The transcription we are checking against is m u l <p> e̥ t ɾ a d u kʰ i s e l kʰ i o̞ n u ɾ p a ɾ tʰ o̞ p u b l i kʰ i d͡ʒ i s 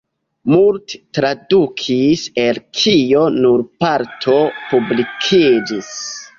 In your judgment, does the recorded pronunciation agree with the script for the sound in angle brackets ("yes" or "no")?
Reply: no